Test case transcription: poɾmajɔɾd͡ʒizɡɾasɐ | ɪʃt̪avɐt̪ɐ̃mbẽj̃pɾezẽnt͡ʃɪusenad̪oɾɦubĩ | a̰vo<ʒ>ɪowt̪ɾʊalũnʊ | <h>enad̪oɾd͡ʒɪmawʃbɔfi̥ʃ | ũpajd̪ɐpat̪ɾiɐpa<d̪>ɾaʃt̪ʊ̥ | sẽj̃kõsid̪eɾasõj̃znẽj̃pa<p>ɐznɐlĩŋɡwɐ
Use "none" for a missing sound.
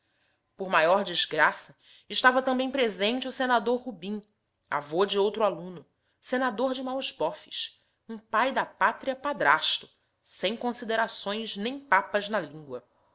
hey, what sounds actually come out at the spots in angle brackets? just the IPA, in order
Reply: d͡ʒ, s, d̪, p

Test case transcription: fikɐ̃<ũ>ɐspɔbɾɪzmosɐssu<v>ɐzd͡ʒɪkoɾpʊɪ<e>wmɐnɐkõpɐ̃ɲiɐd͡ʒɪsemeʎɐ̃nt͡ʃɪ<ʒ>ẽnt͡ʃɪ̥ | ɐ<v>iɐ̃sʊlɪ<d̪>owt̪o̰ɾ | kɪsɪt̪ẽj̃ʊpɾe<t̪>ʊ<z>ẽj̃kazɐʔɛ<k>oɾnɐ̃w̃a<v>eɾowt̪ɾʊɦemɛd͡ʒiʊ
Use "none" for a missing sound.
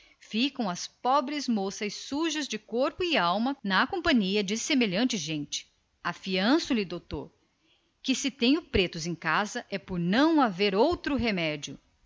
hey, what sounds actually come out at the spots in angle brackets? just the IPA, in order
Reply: w̃, ʒ, a, ʒ, f, d̪, t̪, z, p, v

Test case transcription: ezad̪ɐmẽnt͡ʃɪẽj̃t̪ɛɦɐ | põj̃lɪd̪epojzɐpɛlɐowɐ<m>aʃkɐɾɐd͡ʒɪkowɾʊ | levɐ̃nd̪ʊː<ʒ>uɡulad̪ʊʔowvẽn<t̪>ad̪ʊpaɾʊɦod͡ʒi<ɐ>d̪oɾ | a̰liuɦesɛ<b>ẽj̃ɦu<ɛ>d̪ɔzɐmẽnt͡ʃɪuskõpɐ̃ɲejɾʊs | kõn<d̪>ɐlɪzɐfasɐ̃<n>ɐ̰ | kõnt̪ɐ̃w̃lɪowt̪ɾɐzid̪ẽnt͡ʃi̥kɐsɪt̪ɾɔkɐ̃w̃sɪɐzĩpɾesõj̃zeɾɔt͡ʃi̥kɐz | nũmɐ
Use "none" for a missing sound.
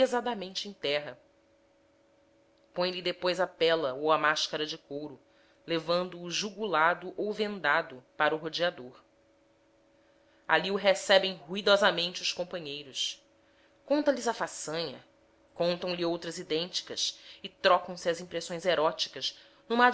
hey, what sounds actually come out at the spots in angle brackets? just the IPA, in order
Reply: m, ʒ, d̪, a, b, i, t̪, ɲ

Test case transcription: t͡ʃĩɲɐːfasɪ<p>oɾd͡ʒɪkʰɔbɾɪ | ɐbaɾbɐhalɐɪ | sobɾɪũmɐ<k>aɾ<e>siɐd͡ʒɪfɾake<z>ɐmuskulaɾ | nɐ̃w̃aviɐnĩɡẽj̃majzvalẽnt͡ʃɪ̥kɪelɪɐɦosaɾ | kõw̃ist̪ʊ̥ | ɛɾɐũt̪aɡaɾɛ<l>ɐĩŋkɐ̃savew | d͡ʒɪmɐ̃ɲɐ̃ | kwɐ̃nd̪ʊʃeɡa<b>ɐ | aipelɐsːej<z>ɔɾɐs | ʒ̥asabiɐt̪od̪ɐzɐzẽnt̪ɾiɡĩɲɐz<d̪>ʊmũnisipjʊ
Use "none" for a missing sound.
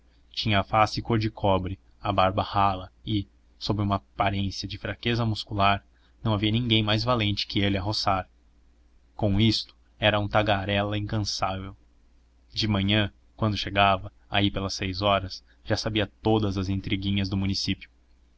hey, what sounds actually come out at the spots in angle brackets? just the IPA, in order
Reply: k, p, ẽ, z, l, v, z, d̪

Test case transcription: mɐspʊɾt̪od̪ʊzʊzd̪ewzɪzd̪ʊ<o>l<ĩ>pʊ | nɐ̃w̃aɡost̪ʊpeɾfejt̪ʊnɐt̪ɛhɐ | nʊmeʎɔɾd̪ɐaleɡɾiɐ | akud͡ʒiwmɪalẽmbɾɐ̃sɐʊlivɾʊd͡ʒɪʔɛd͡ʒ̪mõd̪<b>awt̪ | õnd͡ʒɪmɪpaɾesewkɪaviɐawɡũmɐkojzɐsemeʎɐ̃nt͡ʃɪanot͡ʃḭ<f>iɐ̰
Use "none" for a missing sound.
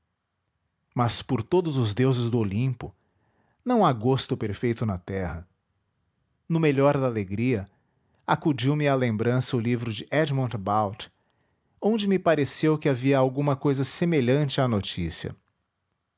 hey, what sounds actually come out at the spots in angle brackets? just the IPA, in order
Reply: o, ĩ, b, s

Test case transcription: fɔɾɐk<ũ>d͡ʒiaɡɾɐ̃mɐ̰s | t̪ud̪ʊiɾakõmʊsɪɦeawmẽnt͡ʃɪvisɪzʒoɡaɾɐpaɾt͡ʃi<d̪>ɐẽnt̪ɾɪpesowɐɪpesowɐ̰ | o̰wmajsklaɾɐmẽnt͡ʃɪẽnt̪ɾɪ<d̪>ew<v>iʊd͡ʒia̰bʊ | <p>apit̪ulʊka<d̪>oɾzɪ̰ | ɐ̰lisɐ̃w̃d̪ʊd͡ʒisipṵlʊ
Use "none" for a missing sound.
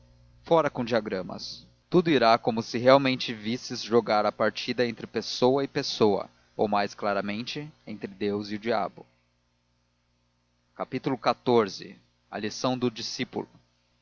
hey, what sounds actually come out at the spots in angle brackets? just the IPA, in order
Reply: õ, d̪, d̪, z, k, t̪

